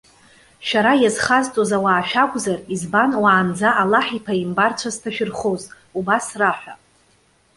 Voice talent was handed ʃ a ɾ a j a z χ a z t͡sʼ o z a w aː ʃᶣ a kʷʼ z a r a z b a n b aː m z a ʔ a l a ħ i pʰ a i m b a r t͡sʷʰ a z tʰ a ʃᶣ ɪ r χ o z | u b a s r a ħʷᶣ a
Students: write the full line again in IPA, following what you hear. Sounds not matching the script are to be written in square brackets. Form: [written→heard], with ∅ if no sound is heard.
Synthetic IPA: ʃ a ɾ a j a z χ a z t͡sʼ o z a w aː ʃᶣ a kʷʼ z a r [a→i] z b a n [b→w] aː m [z→d͡z] a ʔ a l a ħ i pʰ a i m b a r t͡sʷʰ a z tʰ a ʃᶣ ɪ r χ o z | u b a s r a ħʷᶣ a